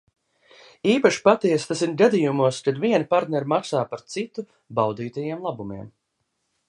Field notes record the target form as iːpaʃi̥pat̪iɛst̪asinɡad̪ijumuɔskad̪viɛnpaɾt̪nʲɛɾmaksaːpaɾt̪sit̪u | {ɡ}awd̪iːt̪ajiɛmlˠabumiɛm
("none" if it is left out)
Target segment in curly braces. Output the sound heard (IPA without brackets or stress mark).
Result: b